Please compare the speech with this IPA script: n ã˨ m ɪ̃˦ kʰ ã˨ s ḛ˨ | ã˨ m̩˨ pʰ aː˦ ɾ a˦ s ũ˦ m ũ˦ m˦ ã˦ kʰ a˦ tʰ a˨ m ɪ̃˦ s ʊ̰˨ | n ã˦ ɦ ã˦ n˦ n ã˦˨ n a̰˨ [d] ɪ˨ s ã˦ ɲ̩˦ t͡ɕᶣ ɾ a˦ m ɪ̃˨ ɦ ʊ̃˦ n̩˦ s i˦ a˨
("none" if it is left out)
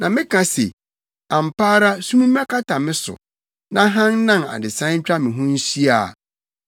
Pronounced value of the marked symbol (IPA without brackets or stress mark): d